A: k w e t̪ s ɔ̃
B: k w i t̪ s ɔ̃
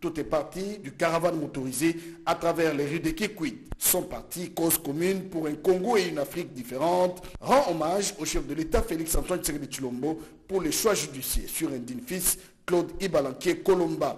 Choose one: B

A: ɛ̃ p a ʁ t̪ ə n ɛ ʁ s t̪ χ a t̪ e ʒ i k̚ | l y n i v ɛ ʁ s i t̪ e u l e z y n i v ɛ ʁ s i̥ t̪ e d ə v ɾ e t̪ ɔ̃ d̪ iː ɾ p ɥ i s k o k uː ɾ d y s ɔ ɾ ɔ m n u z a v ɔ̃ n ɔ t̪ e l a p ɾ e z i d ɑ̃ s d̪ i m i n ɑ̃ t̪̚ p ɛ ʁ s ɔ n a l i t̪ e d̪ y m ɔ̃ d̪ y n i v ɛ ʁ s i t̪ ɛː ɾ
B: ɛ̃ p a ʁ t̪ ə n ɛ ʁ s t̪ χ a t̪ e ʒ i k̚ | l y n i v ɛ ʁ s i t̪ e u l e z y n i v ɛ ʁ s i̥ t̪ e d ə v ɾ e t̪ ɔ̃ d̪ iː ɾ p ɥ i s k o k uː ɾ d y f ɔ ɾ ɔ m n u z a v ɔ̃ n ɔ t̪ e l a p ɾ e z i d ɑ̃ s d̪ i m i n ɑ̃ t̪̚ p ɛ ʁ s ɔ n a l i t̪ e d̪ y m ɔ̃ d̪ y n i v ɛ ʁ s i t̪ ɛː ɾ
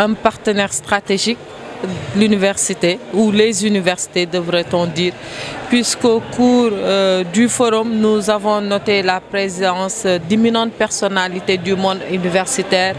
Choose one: B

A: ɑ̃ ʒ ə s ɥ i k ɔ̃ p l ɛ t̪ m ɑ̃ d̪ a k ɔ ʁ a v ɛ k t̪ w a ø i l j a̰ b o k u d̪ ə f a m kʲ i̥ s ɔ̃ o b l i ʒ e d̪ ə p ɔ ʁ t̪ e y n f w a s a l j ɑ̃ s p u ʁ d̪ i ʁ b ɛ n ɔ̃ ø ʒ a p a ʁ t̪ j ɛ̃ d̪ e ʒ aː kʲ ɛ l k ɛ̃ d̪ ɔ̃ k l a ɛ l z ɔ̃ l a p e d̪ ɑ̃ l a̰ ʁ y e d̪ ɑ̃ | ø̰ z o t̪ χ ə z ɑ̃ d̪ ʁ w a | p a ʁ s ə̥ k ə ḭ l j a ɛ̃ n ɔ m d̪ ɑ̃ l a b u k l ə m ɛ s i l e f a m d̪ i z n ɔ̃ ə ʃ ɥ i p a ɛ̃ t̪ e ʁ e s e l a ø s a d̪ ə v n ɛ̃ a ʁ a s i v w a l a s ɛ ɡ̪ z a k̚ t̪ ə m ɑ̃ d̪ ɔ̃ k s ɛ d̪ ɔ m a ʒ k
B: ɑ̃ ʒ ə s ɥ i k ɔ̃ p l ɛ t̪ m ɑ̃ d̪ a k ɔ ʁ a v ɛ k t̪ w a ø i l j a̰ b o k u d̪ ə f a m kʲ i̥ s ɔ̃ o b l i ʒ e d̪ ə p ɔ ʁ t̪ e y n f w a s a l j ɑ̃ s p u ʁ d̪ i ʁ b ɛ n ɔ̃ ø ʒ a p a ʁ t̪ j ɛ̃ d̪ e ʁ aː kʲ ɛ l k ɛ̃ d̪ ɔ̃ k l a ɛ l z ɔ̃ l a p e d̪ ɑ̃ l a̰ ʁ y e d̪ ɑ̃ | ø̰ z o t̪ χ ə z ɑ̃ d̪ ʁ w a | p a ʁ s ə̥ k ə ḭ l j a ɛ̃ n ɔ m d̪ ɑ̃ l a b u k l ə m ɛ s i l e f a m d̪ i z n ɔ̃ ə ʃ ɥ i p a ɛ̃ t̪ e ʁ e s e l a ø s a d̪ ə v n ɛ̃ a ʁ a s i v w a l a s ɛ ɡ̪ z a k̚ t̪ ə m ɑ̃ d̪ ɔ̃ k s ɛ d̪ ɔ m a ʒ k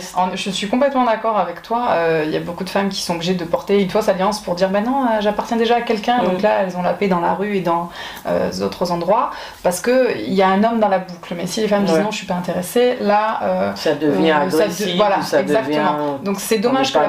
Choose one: A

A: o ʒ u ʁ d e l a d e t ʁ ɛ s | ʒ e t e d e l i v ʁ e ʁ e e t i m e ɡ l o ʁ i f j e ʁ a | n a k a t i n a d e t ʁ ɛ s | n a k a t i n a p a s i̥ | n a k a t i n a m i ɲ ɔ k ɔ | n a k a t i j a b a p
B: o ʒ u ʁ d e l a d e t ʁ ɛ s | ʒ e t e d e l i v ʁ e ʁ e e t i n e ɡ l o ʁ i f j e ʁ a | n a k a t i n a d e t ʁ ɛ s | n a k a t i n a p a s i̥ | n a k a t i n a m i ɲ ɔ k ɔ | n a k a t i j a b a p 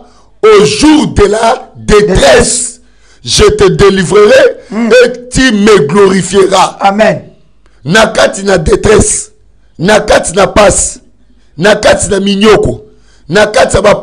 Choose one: A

